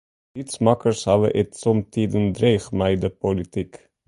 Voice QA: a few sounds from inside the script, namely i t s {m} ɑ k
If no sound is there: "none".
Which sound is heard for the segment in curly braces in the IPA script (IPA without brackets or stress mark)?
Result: m